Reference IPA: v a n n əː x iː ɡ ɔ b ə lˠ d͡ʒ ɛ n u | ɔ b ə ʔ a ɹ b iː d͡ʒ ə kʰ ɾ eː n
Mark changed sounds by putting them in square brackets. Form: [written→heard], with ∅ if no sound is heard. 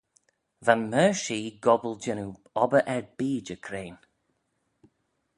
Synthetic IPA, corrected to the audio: v a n [n→m] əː [x→ʃ] iː ɡ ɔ b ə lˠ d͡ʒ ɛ n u | ɔ b ə ʔ [a→ɛ] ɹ b iː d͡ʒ ə kʰ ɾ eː n